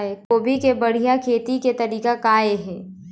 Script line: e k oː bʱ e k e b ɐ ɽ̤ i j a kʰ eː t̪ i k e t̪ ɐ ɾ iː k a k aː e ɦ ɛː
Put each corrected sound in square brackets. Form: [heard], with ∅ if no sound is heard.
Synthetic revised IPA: e k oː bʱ [i] k e b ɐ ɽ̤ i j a kʰ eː t̪ i k e t̪ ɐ ɾ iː k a k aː e ɦ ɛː